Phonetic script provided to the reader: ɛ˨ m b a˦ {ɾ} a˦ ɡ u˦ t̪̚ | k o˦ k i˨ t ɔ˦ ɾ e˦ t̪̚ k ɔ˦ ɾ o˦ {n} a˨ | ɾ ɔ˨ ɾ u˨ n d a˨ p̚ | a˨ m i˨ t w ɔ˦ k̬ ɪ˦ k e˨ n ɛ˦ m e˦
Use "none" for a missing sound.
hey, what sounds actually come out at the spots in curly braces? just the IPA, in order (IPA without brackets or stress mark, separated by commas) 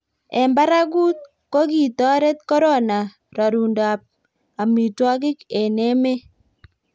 ɾ, n